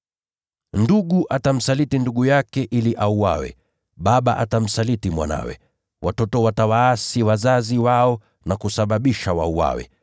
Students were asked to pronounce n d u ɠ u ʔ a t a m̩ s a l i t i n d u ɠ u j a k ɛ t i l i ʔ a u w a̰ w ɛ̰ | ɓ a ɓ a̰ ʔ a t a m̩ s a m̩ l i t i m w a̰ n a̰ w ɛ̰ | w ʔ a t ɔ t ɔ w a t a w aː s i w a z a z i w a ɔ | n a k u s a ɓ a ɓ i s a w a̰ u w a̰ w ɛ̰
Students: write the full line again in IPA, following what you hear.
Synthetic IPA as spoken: n d u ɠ u ʔ a t a m̩ s a l i t i n d u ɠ u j a k ɛ ʔ i l i ʔ a u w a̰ w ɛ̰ | ɓ a ɓ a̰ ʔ a t a m̩ s a l i t i m w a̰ n a̰ w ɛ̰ | w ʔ a t ɔ t ɔ w a t a w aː s i w a z a z i w a ɔ | n a k u s a ɓ a ɓ i ʃ a w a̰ u w a̰ w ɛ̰

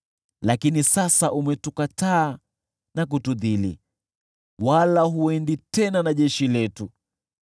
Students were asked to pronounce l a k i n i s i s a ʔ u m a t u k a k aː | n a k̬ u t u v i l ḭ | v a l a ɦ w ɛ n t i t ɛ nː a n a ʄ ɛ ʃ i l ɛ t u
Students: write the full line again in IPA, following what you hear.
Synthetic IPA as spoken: l a k i n i s a s a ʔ u m ɛ t u k a t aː | n a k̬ u t u ð i l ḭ | w a l a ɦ u ɛ n d i t ɛ n a n a ʄ ɛ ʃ i l ɛ t u

